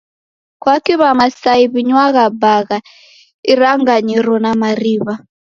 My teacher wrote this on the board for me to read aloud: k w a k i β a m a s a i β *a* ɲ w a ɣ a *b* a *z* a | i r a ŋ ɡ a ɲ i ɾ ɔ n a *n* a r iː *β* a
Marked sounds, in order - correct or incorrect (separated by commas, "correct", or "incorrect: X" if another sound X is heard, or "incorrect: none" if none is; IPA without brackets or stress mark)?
incorrect: i, correct, incorrect: ɣ, incorrect: m, correct